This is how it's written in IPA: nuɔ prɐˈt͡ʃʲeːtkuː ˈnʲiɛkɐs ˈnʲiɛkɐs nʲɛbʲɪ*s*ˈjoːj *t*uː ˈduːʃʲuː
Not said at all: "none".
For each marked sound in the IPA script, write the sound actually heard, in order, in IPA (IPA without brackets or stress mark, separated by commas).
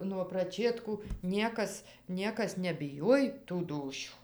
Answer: none, t